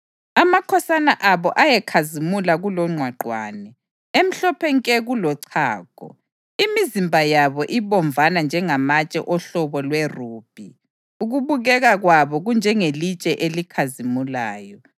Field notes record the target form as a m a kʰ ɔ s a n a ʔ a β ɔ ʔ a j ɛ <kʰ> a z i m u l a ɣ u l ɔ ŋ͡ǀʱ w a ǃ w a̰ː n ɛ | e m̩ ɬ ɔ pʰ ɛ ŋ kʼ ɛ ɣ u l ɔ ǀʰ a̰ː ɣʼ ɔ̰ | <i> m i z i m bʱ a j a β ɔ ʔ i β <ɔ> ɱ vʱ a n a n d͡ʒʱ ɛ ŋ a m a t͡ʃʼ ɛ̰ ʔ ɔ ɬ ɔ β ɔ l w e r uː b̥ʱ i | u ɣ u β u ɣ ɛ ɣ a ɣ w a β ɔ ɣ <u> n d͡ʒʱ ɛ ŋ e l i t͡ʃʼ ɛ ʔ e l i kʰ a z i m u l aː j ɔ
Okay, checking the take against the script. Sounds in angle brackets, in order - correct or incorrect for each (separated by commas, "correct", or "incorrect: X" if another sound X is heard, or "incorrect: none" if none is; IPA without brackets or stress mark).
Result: correct, correct, correct, correct